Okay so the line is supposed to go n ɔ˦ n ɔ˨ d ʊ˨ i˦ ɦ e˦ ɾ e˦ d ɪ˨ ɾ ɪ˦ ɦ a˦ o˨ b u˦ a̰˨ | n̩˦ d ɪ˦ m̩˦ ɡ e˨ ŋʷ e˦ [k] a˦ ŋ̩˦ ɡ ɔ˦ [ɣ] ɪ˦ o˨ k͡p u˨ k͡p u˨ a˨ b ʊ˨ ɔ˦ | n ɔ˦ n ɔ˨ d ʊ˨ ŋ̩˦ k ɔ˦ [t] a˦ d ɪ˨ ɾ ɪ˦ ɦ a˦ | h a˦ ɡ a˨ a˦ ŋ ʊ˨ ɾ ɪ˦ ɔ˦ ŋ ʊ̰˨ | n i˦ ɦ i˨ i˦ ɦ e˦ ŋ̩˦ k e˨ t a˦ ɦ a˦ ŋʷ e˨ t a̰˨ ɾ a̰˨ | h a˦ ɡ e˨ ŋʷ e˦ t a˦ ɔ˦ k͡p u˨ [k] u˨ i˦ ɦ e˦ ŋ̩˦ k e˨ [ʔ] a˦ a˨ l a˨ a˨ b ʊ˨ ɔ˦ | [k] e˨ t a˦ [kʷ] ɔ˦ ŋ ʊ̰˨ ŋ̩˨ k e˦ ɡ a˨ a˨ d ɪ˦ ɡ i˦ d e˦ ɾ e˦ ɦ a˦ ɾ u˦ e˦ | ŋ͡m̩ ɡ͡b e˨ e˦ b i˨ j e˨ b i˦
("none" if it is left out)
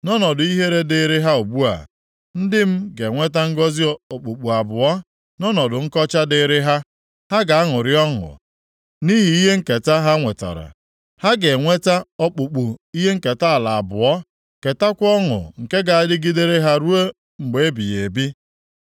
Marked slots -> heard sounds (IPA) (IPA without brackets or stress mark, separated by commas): t, z, t͡ʃ, k͡p, t, k, kʷ